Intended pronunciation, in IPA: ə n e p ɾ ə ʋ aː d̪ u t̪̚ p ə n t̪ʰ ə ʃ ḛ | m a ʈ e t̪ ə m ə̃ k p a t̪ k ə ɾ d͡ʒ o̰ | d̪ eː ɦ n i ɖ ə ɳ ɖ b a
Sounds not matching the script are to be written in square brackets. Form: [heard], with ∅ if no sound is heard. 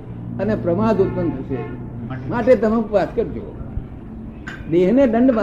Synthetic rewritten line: ə n e p ɾ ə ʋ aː d̪ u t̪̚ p ə n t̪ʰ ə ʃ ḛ | m a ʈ e t̪ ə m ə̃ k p a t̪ k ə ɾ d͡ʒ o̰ | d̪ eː ɦ n [e] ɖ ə ɳ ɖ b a